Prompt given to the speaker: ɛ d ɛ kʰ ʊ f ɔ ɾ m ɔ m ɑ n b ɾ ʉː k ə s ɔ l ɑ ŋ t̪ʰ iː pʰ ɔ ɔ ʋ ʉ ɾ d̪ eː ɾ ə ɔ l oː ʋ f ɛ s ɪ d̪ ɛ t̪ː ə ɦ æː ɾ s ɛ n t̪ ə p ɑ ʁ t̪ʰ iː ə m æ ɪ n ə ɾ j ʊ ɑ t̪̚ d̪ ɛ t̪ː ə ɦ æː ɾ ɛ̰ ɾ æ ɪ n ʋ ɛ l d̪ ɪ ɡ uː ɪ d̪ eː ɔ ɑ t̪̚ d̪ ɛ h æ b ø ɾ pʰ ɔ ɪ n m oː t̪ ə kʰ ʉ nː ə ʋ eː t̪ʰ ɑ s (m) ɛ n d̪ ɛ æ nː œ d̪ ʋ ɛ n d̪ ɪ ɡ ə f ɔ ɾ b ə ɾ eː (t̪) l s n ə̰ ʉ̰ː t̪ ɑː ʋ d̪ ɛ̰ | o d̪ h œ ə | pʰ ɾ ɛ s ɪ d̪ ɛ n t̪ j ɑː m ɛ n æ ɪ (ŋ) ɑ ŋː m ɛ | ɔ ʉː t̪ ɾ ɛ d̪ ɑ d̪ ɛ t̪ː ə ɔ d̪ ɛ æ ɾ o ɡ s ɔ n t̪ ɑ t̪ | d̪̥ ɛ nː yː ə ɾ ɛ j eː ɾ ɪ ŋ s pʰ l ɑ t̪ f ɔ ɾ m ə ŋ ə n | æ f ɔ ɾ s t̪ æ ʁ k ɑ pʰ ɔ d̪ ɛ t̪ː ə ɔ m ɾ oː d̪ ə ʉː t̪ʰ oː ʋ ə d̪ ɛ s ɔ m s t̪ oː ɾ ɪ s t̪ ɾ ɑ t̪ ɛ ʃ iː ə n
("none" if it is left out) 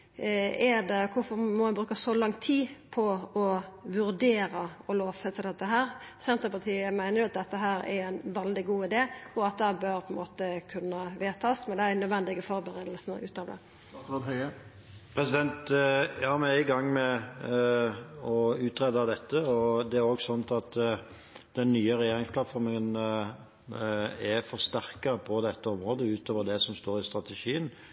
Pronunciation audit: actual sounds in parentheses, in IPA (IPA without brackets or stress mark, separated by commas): m, d̪, ɡ